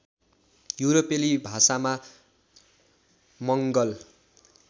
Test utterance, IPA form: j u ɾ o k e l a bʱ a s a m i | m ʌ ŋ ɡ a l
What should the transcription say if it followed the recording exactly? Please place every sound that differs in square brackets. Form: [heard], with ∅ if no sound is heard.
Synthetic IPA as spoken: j u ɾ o [p] e l [i] bʱ a s a m [a] | m ʌ ŋ ɡ [ʌ] l

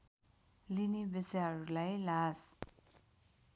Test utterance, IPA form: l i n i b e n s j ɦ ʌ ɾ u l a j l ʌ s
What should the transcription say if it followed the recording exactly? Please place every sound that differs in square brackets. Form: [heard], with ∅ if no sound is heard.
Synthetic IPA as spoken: l i n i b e [∅] s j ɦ ʌ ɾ u l a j l [a] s

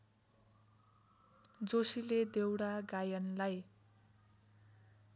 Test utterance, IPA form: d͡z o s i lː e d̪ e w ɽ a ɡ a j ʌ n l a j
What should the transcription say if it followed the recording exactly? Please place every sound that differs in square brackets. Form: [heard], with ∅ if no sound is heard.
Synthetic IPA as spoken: d͡z o s i [l] e d̪ e w ɽ a ɡ a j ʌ n l a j

